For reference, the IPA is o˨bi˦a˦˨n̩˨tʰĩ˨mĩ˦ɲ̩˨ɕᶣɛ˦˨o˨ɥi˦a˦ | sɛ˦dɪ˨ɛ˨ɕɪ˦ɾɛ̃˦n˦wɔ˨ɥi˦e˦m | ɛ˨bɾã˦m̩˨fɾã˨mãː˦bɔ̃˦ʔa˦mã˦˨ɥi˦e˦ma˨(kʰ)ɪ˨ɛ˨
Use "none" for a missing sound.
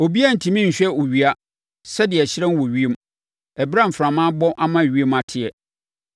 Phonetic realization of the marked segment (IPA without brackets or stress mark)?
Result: tʰ